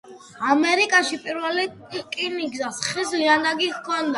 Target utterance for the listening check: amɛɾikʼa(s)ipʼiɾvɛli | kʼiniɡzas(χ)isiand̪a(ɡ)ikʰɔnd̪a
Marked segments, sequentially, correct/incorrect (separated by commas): incorrect, correct, correct